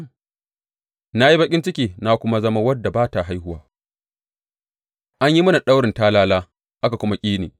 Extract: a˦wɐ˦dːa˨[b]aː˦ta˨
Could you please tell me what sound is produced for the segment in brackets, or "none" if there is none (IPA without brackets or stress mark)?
b